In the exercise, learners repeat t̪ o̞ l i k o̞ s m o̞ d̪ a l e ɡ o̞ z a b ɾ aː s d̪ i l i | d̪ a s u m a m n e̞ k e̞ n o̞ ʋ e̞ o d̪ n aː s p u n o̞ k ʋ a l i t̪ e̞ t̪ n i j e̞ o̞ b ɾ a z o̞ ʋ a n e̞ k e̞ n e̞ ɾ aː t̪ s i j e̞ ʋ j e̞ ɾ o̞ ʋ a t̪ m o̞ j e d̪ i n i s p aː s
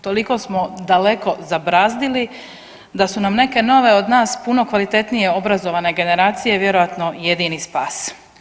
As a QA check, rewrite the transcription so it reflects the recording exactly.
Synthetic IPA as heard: t̪ o̞ l i k o̞ s m o̞ d̪ a l e k o̞ z a b ɾ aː z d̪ i l i | d̪ a s u n a m n e̞ k e̞ n o̞ ʋ e̞ o d̪ n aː s p u n o̞ k ʋ a l i t̪ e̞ t̪ n i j e̞ o̞ b ɾ a z o̞ ʋ a n e̞ ɡ e̞ n e̞ ɾ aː t̪ s i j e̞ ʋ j e̞ ɾ o̞ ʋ a t̪ n o̞ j e d̪ i n i s p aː s

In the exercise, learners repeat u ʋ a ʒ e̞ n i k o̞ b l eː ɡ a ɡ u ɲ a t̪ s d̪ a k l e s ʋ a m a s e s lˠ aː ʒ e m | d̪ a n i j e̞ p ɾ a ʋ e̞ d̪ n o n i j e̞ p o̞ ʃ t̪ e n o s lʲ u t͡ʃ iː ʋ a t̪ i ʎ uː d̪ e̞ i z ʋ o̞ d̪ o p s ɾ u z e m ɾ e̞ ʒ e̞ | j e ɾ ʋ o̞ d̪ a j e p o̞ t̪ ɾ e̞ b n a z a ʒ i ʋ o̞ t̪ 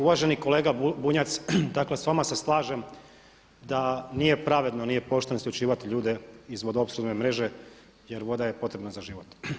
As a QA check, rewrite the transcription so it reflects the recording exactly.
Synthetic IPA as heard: u ʋ a ʒ e̞ n i k o̞ l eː ɡ a b u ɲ a t̪ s d̪ a k l e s ʋ a m a s e s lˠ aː ʒ e m | d̪ a n i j e̞ p ɾ a ʋ e̞ d̪ n o n i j e̞ p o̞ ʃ t̪ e n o s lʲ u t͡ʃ iː ʋ a t̪ i ʎ uː d̪ e̞ i z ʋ o̞ d̪ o p s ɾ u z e m ɾ e̞ ʒ e̞ | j e ɾ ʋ o̞ d̪ a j e p o̞ t̪ ɾ e̞ b n a z a ʒ i ʋ o̞ t̪

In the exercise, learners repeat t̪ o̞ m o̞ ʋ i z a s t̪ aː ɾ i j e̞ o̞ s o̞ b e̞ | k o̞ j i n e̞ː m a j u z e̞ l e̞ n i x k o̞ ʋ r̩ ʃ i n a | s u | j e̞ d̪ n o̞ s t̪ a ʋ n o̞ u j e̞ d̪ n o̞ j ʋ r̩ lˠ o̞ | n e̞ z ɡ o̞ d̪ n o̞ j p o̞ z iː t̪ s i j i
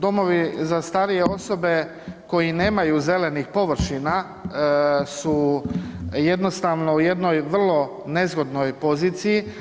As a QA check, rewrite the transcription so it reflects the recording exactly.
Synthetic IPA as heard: d̪ o̞ m o̞ ʋ i z a s t̪ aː ɾ i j e̞ o̞ s o̞ b e̞ | k o̞ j i n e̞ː m a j u z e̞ l e̞ n i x p o̞ ʋ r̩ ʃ i n a | s u | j e̞ d̪ n o̞ s t̪ a ʋ n o̞ u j e̞ d̪ n o̞ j ʋ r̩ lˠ o̞ | n e̞ z ɡ o̞ d̪ n o̞ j p o̞ z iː t̪ s i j i

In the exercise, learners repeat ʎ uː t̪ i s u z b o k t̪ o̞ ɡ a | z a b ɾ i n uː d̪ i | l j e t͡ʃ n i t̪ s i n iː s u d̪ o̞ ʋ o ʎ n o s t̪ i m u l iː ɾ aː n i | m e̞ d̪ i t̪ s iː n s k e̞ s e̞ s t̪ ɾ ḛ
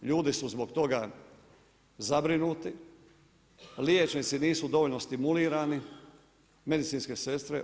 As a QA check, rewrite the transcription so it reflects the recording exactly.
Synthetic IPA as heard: ʎ uː d̪ i s u z b o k t̪ o̞ ɡ a | z a b ɾ i n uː t̪ i | l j e t͡ʃ n i t̪ s i n iː s u d̪ o̞ ʋ o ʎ n o s t̪ i m u l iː ɾ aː n i | m e̞ d̪ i t̪ s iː n s k e̞ s e̞ s t̪ ɾ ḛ

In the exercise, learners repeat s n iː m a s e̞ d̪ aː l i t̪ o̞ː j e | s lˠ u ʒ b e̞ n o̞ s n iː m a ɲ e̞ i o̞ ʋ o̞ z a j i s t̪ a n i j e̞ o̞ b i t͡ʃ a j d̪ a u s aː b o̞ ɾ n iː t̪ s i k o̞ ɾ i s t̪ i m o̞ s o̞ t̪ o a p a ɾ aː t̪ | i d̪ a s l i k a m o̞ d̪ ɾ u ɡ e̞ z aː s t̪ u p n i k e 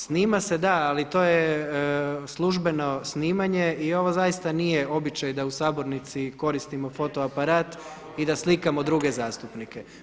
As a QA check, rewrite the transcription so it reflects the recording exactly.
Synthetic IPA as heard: s n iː m a s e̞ d̪ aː l i t̪ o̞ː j e | s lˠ u ʒ b e̞ n o̞ s n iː m a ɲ e̞ i o̞ ʋ o̞ z a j i s t̪ a n i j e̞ o̞ b i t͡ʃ a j d̪ a u s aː b o̞ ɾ n i t̪ s i k o̞ ɾ i s t̪ i m o̞ f o̞ t̪ o a p a ɾ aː t̪ | i d̪ a s l i k a m o̞ d̪ ɾ u ɡ e̞ z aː s t̪ u p n i k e

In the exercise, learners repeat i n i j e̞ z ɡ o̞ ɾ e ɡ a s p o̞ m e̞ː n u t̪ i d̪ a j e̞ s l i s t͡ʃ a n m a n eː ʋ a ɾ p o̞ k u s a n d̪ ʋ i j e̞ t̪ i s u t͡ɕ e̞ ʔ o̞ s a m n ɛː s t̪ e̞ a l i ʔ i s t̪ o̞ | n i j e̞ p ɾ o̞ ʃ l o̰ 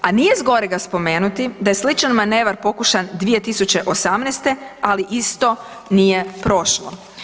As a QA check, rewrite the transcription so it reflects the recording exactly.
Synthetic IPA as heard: a n i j e̞ z ɡ o̞ ɾ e ɡ a s p o̞ m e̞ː n u t̪ i d̪ a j e̞ s l i t͡ʃ a n m a n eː ʋ a ɾ p o̞ k u ʃ a n d̪ ʋ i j e̞ t̪ i s u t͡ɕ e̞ ʔ o̞ s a m n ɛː s t̪ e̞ a l i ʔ i s t̪ o̞ | n i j e̞ p ɾ o̞ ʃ l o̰

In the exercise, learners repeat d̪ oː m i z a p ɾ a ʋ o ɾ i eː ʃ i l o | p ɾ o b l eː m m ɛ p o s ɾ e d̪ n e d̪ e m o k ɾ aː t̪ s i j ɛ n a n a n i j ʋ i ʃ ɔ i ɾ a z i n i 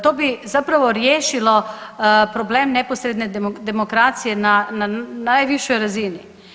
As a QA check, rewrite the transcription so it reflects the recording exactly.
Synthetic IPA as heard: t̪ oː b i z a p ɾ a ʋ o ɾ j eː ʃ i l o | p ɾ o b l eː m n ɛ p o s ɾ e d̪ n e d̪ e m o k ɾ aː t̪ s i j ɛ n a n a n a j ʋ i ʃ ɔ j ɾ a z i n i

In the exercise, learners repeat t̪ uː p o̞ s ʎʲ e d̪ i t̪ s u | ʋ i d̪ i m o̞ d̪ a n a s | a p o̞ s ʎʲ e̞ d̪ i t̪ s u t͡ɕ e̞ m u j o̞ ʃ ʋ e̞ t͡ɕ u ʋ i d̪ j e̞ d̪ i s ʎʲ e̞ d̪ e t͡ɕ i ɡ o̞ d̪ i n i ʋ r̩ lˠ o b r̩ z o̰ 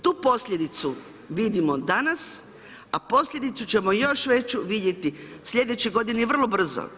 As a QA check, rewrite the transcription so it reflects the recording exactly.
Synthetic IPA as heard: t̪ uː p o̞ s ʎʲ e d̪ i t̪ s u | ʋ i d̪ i m o̞ d̪ a n a s | a p o̞ s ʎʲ e̞ d̪ i t̪ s u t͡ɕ e̞ m o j o̞ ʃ ʋ e̞ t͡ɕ u ʋ i d̪ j e̞ t̪ i s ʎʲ e̞ d̪ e t͡ɕ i ɡ o̞ d̪ i n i ʋ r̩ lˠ o b r̩ z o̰

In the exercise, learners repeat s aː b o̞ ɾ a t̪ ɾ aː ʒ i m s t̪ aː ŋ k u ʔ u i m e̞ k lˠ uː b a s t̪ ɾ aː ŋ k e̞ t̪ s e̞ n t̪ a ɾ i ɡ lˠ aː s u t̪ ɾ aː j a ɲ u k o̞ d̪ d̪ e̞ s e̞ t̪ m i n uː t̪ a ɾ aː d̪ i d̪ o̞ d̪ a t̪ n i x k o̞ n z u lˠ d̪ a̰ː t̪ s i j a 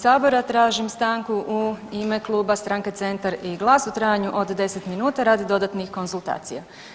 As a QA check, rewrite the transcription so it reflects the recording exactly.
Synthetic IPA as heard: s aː b o̞ ɾ a t̪ ɾ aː ʒ i m s t̪ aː ŋ k u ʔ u i m e̞ k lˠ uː b a s t̪ ɾ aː ŋ k e̞ t̪ s e̞ n t̪ a ɾ i ɡ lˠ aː s u t̪ ɾ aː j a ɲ u ʔ o̞ d̪ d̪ e̞ s e̞ t̪ m i n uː t̪ a ɾ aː d̪ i d̪ o̞ d̪ a t̪ n i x k o̞ n z u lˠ t̪ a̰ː t̪ s i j a

